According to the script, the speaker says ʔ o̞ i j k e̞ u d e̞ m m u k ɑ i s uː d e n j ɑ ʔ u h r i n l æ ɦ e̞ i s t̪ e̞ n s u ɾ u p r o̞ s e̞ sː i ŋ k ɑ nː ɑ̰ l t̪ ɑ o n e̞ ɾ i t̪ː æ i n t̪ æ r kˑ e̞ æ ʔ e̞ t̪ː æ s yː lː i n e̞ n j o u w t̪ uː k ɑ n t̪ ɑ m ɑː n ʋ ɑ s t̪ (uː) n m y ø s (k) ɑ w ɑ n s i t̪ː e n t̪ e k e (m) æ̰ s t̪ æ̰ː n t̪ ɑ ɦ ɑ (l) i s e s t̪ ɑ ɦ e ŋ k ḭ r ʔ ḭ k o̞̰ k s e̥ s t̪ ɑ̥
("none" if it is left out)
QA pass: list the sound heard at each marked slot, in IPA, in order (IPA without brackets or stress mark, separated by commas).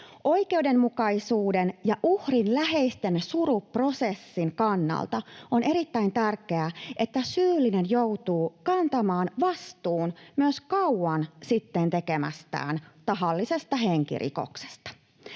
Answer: uː, k, m, lː